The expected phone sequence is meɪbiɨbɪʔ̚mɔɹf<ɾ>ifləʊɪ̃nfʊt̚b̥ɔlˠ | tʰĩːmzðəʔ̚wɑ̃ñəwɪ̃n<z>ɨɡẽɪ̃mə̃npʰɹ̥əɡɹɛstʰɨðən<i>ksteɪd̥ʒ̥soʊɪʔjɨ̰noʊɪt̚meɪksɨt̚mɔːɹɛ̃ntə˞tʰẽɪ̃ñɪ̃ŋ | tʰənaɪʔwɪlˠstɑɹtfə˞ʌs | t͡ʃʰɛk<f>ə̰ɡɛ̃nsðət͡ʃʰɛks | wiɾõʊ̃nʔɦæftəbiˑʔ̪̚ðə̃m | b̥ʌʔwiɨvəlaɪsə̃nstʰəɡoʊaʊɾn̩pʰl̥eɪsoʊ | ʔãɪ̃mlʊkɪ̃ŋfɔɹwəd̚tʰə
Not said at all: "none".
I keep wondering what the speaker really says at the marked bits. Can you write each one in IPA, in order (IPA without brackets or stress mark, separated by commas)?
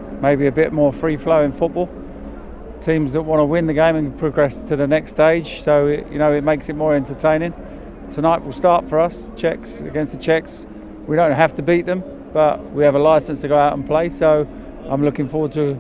ɹ, ð, ɛ, s